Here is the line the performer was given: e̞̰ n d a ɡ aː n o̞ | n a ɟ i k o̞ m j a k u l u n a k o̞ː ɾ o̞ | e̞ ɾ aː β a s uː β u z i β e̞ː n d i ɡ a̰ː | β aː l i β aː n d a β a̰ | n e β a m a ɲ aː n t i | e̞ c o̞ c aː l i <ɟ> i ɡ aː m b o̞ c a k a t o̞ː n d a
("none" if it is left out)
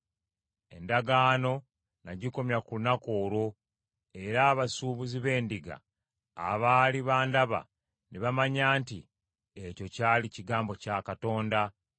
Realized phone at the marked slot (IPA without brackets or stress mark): c